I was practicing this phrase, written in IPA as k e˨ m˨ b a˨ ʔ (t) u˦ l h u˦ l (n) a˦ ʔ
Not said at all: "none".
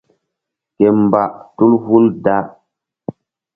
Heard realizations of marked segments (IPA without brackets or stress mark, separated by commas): t, d